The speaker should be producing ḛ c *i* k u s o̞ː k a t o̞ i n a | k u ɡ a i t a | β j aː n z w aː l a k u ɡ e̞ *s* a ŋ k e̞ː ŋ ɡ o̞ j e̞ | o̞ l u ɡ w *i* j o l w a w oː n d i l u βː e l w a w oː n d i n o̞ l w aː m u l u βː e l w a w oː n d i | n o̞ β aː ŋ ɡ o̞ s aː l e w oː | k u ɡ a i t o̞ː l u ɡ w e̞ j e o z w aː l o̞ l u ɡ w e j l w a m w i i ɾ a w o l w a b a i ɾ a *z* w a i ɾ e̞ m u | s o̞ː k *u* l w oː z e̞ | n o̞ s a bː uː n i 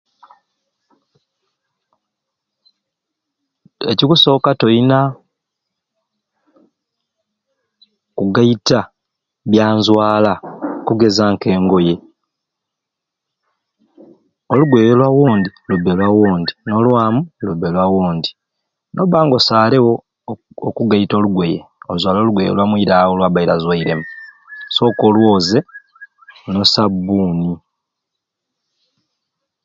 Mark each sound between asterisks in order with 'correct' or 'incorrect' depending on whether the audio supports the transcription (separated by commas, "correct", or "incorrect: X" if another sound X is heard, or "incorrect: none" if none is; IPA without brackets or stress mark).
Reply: correct, incorrect: z, incorrect: e, correct, incorrect: o